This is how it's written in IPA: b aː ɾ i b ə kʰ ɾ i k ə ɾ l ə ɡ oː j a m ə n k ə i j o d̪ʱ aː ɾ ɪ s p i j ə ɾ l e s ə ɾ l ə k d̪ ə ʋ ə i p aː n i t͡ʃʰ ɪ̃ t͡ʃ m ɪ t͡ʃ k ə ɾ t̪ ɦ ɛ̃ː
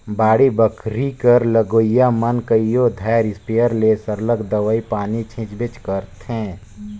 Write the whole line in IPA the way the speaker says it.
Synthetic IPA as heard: b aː ɽ i b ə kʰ ɾ i k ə ɾ l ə ɡ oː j a m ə n k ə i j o d̪ʱ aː ɾ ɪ s p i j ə ɾ l e s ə ɾ l ə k d̪ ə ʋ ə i p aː n i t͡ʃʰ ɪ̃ t͡ʃ b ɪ t͡ʃ k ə ɾ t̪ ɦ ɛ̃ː